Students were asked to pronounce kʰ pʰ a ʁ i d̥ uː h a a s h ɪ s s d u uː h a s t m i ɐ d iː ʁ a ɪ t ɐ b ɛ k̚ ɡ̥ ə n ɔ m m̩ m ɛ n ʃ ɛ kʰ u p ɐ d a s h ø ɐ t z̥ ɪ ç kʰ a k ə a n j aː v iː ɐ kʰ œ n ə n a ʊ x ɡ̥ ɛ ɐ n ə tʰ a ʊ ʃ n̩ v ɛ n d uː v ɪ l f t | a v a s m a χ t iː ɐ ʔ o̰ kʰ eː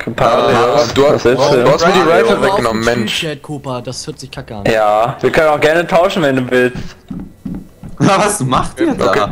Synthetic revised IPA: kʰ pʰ a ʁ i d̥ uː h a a s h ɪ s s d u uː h a s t m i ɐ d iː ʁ a ɪ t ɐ v ɛ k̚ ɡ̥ ə n ɔ m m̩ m ɛ n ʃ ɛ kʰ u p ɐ d a s h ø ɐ t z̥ ɪ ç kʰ a k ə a n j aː v iː ɐ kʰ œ n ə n a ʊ x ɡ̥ ɛ ɐ n ə tʰ a ʊ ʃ n̩ v ɛ n d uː v ɪ l s t | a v a s m a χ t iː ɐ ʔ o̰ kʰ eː